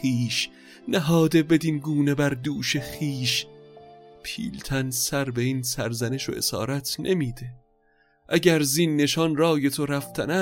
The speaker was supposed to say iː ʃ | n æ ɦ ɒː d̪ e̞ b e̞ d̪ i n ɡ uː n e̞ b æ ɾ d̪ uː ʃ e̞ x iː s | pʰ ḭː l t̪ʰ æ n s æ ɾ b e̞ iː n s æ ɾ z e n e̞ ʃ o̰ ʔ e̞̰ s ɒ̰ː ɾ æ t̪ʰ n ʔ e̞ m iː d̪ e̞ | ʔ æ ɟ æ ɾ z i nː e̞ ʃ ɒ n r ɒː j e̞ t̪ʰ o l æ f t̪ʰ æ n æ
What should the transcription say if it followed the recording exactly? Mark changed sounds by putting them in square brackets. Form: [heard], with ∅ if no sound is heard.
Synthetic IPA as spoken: iː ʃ | n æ ɦ ɒː d̪ e̞ b e̞ d̪ i n ɡ uː n e̞ b æ ɾ d̪ uː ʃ e̞ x iː [ʃ] | pʰ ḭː l t̪ʰ æ n s æ ɾ b e̞ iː n s æ ɾ z [æ] n e̞ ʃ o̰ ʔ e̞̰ s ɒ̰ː ɾ æ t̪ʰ n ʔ e̞ m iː d̪ e̞ | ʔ æ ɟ æ ɾ z i nː e̞ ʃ ɒ n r ɒː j e̞ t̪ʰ o [ɾ] æ f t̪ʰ æ n æ